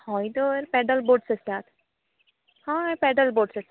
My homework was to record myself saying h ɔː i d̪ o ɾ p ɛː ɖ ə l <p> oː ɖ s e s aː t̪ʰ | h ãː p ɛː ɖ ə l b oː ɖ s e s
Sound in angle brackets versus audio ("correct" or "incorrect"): incorrect